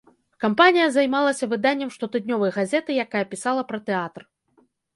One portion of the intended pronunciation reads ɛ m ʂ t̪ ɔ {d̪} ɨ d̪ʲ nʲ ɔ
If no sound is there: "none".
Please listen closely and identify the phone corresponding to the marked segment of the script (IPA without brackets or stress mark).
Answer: t̪